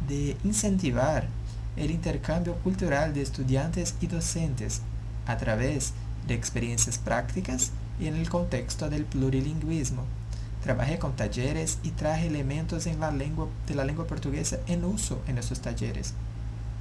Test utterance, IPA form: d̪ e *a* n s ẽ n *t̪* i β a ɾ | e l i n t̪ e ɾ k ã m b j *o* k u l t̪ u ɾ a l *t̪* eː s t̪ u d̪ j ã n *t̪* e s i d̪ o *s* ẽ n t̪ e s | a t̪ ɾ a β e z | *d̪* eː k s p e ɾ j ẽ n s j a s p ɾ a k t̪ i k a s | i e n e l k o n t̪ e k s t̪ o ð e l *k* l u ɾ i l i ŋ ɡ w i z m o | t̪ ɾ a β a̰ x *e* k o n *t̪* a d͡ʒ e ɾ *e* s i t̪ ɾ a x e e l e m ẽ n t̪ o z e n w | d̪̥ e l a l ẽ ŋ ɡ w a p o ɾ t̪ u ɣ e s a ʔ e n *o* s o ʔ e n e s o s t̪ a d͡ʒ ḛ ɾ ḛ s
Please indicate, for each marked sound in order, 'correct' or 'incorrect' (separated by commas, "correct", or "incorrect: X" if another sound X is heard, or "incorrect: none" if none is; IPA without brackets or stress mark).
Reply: incorrect: i, correct, correct, incorrect: d̪, correct, correct, correct, incorrect: p, correct, correct, correct, incorrect: u